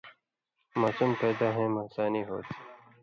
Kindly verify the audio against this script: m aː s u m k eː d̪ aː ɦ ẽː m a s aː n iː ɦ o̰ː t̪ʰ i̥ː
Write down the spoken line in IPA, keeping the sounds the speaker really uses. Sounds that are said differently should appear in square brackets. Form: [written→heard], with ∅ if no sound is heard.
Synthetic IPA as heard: m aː s u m [k→p] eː d̪ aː ɦ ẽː m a s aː n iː ɦ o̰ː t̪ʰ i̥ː

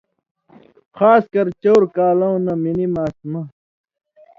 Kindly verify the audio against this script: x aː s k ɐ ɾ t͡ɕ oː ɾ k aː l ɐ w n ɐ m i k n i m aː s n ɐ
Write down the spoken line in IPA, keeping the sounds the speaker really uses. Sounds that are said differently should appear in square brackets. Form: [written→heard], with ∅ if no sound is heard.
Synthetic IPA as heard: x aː s k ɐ ɾ t͡ɕ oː ɾ k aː l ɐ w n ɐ m i [k→∅] n i m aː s [n→m] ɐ

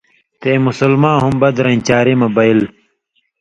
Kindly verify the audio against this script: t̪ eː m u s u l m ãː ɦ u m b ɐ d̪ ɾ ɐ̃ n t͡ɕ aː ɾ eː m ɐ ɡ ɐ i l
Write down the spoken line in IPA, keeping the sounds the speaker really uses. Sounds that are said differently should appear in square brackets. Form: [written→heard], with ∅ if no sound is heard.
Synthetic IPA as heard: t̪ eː m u s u l m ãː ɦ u m b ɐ d̪ ɾ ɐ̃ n t͡ɕ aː ɾ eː m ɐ [ɡ→b] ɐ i l

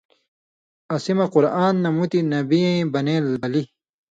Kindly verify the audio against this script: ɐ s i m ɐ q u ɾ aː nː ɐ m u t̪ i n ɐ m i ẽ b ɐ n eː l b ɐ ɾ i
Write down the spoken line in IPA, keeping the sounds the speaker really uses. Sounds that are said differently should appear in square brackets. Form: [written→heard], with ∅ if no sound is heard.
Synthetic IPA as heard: ɐ s i m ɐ q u ɾ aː nː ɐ m u t̪ i n ɐ [m→b] i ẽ b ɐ n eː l b ɐ [ɾ→l] i

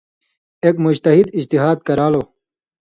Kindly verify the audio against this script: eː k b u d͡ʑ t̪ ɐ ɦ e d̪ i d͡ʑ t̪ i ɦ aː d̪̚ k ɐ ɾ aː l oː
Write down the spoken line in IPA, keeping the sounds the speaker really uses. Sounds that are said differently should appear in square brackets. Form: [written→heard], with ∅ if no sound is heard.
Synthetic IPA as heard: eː k [b→m] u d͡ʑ t̪ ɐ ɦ [e→i] d̪ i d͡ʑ t̪ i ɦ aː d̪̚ k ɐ ɾ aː l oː

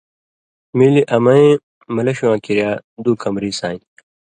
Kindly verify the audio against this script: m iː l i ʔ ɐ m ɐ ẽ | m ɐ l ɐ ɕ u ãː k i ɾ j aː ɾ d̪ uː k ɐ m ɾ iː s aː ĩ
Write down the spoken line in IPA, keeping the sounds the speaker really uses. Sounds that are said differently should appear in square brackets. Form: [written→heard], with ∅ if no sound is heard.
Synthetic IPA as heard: m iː l i ʔ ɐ m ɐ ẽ | m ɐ l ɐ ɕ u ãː k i ɾ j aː [ɾ→∅] d̪ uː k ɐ m ɾ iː s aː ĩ

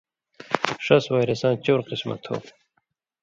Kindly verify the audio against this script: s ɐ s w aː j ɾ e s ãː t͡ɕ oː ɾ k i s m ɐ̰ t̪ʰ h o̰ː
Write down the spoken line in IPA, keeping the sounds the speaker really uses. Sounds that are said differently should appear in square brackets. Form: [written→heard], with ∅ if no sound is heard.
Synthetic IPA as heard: [s→ʂ] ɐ s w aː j ɾ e s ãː t͡ɕ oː ɾ [k→q] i s m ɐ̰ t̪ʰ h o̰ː

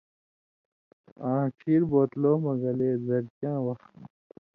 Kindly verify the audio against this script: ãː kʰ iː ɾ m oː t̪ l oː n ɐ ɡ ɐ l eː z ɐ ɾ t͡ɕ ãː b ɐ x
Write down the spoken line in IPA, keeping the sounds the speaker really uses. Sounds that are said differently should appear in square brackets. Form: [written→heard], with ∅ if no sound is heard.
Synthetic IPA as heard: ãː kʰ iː ɾ [m→b] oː t̪ l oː [n→m] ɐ ɡ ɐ l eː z ɐ ɾ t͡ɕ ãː [b→w] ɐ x

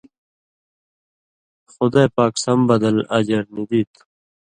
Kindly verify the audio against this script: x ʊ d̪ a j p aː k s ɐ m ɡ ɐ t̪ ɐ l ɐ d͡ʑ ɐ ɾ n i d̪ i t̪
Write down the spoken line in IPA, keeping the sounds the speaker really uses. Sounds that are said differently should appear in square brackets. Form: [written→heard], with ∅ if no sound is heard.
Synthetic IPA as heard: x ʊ d̪ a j p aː k s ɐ m [ɡ→b] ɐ [t̪→d̪] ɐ l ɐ d͡ʑ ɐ ɾ n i d̪ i t̪

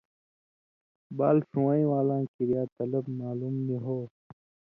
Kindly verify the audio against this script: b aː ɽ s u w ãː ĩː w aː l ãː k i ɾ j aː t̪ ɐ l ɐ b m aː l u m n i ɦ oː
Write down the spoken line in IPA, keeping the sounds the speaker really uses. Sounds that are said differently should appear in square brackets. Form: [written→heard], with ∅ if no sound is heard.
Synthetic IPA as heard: b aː [ɽ→l] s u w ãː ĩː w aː l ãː k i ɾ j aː t̪ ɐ l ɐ b m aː l u m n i ɦ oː

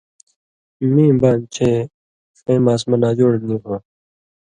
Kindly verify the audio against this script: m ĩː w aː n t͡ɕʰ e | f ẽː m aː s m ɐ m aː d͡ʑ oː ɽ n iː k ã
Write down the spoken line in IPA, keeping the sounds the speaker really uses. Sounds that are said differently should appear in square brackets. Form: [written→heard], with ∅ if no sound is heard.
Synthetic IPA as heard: m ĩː [w→b] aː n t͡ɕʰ e | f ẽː m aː s m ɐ [m→n] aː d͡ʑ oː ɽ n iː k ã

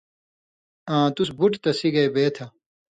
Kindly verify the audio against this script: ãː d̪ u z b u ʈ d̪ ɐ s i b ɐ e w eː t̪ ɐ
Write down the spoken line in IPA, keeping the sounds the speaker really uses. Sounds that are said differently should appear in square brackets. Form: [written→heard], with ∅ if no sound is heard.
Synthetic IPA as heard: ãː [d̪→t̪] u [z→s] b u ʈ [d̪→t̪] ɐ s i [b→ɡ] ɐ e [w→b] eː [t̪→t̪ʰ] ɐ

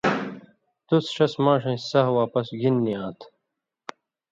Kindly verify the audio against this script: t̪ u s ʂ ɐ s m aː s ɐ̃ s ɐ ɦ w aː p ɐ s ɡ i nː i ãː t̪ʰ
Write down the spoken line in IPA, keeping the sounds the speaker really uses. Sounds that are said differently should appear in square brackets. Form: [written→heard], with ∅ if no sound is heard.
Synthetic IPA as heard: t̪ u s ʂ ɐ s m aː [s→ʂ] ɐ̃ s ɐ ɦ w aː p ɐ s ɡ i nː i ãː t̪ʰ

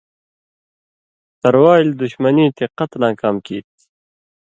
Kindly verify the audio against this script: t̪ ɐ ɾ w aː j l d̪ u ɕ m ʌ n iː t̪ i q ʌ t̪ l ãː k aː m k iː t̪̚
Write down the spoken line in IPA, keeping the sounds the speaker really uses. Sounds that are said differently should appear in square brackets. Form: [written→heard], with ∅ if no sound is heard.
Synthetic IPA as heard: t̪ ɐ ɾ w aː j l d̪ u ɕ m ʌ n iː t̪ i q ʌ t̪ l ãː k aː m k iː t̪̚

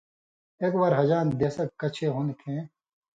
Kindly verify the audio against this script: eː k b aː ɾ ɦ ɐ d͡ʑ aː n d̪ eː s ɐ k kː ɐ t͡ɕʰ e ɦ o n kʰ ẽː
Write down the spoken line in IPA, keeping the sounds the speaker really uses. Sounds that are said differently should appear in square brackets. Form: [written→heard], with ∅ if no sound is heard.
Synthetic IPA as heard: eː k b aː ɾ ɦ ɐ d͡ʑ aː n d̪ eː s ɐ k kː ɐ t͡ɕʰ e ɦ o n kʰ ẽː

